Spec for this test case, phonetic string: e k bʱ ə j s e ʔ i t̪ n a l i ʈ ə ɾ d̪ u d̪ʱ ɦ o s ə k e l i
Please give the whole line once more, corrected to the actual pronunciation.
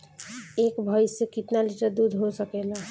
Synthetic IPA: e k bʱ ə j s e k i t̪ n a l i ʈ ə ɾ d̪ u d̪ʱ ɦ o s ə k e l a

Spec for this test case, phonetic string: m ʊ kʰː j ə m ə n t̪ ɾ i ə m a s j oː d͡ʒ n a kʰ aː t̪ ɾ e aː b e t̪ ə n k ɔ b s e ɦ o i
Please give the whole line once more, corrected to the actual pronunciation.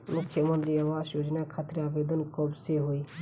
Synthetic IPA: m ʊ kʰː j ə m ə n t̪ ɾ i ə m a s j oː d͡ʒ n a kʰ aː t̪ ɾ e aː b e d̪ ə n k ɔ b s e ɦ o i

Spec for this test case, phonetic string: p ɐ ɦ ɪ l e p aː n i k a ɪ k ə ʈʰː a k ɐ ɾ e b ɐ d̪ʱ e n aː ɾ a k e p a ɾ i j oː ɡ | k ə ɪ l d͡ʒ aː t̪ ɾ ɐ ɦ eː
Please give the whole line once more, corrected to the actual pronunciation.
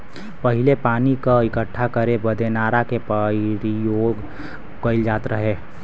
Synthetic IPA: p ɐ ɦ ɪ l e p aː n i k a ɪ k ə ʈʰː a k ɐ ɾ e b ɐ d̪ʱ e n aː ɾ a k e p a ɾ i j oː ɡ | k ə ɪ l d͡ʒ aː t̪ ɾ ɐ ɦ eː

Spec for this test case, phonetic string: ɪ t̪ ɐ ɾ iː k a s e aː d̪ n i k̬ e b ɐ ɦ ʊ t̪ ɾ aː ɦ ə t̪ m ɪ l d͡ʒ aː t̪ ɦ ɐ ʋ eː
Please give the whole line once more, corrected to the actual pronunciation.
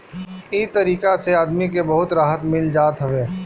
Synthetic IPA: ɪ t̪ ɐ ɾ iː k a s e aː d̪ m i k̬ e b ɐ ɦ ʊ t̪ ɾ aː ɦ ə t̪ m ɪ l d͡ʒ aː t̪ ɦ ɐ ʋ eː

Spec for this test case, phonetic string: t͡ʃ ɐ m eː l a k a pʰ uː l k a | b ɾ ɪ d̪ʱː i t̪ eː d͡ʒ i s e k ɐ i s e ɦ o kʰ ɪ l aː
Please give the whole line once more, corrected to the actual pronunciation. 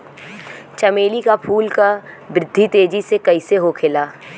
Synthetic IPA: t͡ʃ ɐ m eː l i k a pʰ uː l k a | b ɾ ɪ d̪ʱː i t̪ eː d͡ʒ i s e k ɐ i s e ɦ o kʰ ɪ l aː

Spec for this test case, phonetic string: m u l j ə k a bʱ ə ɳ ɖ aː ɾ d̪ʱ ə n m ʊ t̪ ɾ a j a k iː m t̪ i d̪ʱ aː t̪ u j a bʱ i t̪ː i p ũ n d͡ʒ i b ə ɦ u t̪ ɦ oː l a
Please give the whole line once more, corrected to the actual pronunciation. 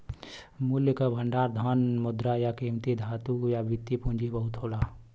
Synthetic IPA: m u l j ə k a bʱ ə ɳ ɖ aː ɾ d̪ʱ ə n m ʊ d̪ ɾ a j a k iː m t̪ i d̪ʱ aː t̪ u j a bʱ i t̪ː i p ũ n d͡ʒ i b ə ɦ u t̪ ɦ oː l a

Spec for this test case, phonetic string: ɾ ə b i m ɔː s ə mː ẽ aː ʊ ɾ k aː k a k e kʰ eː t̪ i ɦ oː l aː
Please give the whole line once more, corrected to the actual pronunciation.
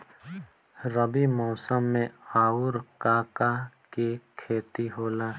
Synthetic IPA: ɾ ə b i m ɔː s ə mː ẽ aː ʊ ɾ k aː k a k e kʰ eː t̪ i ɦ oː l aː

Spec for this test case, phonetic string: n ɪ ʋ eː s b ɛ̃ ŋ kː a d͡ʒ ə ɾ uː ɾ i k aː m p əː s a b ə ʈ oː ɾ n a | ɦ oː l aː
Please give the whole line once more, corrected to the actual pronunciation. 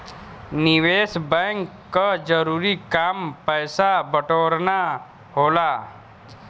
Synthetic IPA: n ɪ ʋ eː s b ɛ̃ ŋ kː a d͡ʒ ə ɾ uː ɾ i k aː m p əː s a b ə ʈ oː ɾ n a | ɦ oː l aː

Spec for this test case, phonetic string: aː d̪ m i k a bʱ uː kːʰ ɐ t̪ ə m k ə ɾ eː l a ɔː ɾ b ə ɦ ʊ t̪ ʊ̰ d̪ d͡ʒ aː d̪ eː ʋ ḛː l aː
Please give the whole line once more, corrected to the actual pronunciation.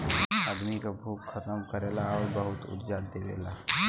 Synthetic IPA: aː d̪ m i k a bʱ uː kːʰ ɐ t̪ ə m k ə ɾ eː l a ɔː ɾ b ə ɦ ʊ t̪ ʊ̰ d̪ d͡ʒ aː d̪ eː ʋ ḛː l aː

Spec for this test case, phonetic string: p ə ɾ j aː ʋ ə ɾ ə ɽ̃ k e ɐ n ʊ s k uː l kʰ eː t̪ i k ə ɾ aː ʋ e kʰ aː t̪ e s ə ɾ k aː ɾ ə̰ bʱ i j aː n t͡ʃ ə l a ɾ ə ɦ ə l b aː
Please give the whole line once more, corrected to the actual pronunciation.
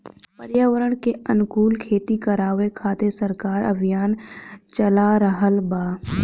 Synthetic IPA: p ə ɾ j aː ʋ ə ɾ ə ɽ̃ k e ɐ n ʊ k uː l kʰ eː t̪ i k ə ɾ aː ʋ e kʰ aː t̪ e s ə ɾ k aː ɾ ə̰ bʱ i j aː n t͡ʃ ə l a ɾ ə ɦ ə l b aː

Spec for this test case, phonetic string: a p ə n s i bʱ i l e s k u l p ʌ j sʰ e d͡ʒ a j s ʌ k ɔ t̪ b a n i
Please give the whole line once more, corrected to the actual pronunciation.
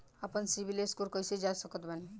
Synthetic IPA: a p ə n s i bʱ i l e s k u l k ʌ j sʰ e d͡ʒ a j s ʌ k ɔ t̪ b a n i

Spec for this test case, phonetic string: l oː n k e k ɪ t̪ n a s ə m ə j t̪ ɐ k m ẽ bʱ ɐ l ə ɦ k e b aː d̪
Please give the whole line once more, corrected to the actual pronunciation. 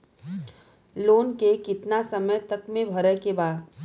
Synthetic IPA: l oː n k e k ɪ t̪ n a s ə m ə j t̪ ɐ k m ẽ bʱ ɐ ɾ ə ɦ k e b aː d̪

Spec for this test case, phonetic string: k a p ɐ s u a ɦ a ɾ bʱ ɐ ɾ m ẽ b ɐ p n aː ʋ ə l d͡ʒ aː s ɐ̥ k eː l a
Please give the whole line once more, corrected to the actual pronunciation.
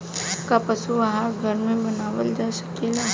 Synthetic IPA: k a p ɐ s u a ɦ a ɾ ɡʱ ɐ ɾ m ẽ b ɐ n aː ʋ ə l d͡ʒ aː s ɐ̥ k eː l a

